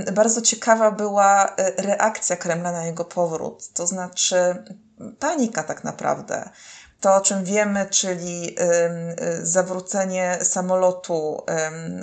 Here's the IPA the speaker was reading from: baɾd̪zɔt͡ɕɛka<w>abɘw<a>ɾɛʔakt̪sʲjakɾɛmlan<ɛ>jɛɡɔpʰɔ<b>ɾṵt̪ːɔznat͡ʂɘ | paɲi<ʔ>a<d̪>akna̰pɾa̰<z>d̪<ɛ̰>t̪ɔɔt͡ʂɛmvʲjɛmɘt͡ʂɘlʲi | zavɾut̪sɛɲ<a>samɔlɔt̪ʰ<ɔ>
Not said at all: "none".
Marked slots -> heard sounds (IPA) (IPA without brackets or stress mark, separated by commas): v, a, a, v, k, t̪, v, ɛ̰, ɛ, u